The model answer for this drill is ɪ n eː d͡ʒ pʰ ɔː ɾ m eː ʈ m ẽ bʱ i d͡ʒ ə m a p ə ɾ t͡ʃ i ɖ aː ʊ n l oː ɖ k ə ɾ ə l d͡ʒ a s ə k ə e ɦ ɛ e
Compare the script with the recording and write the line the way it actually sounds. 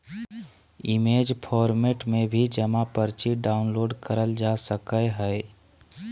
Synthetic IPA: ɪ m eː d͡ʒ pʰ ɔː ɾ m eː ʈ m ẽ bʱ i d͡ʒ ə m a p ə ɾ t͡ʃ i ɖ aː ʊ n l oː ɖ k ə ɾ ə l d͡ʒ a s ə k ə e ɦ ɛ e